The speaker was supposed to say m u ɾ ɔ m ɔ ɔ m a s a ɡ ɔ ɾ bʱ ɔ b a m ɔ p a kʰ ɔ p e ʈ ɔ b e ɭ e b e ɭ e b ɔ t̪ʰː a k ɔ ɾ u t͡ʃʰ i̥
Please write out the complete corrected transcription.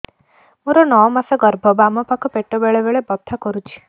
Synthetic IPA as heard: m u ɾ ɔ n ɔ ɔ m a s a ɡ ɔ ɾ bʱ ɔ b a m ɔ p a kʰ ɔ p e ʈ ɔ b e ɭ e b e ɭ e b ɔ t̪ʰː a k ɔ ɾ u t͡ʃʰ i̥